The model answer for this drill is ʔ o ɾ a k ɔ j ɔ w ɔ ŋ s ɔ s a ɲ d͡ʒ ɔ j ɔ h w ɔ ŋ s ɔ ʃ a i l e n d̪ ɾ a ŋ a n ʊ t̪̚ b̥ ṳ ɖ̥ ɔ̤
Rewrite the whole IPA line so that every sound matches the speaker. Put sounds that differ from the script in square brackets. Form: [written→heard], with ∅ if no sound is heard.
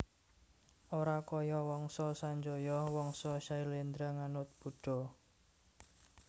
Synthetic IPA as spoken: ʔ o ɾ a k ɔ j ɔ w ɔ ŋ s ɔ s a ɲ d͡ʒ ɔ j ɔ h w ɔ ŋ s ɔ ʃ a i l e n d̪ ɾ a ŋ a n ʊ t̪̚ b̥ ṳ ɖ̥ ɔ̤